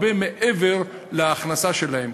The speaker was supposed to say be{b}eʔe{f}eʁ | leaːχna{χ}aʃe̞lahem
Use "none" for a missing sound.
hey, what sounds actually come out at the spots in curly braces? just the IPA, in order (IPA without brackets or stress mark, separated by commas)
m, v, s